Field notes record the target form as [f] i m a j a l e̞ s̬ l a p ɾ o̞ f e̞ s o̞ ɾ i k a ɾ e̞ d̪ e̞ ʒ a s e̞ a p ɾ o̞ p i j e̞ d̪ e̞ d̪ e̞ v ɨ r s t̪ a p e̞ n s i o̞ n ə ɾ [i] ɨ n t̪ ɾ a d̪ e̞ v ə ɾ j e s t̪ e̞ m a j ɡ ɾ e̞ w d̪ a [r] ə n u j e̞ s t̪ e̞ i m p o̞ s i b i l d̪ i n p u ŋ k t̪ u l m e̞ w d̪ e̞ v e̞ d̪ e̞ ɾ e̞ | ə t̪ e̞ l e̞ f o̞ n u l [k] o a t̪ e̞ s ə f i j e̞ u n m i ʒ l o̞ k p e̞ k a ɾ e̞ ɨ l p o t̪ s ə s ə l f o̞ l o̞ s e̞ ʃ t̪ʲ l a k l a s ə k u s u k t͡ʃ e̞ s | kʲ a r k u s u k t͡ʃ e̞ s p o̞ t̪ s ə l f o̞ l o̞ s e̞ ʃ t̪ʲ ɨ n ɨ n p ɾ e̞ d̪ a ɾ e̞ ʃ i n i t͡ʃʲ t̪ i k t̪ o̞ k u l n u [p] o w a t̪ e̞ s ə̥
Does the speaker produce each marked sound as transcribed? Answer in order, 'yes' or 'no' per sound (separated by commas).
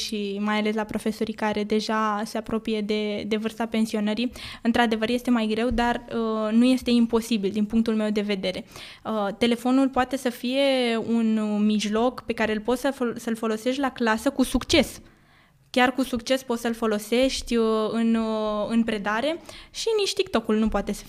no, yes, yes, no, yes